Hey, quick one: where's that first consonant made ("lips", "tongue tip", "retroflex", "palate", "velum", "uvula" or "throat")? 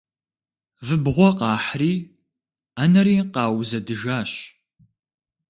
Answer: lips